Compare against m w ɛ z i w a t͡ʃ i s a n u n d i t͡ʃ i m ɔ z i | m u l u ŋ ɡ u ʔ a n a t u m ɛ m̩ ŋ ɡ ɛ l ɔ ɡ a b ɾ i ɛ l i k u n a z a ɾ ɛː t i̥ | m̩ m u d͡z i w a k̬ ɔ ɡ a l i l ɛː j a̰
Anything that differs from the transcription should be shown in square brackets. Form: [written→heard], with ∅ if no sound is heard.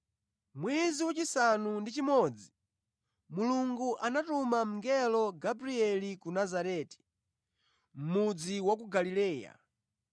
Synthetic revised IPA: m w ɛ z i w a t͡ʃ i s a n u n d i t͡ʃ i m ɔ [z→d͡z] i | m u l u ŋ ɡ u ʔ a n a t u m [ɛ→a] m̩ ŋ ɡ ɛ l ɔ ɡ a b ɾ i ɛ l i k u n a z a ɾ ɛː t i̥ | m̩ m u d͡z i w a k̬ [ɔ→u] ɡ a l i l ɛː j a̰